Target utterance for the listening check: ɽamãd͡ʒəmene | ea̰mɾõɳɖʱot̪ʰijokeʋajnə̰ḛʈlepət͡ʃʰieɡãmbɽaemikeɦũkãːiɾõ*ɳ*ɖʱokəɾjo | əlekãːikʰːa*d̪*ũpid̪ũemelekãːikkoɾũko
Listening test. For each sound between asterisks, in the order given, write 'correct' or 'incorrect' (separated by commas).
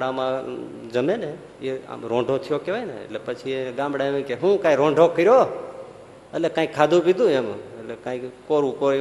correct, correct